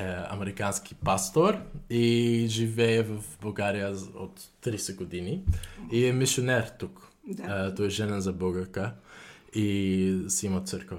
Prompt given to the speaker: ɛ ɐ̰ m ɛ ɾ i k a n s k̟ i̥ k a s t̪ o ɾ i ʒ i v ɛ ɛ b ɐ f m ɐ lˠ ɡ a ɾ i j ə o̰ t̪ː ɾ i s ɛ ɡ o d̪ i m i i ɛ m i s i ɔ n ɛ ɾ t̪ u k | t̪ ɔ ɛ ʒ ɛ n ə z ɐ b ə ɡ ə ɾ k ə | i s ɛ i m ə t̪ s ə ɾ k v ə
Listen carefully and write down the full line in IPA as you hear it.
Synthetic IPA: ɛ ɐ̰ m ɛ ɾ i k a n s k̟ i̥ p a s t̪ o ɾ i ʒ i v ɛ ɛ v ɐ f b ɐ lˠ ɡ a ɾ i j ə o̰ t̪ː ɾ i s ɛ ɡ o d̪ i n i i ɛ m i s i o n ɛ ɾ t̪ u k | t̪ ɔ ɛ ʒ ɛ n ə z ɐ b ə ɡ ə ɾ k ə | i s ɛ i m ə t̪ s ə ɾ k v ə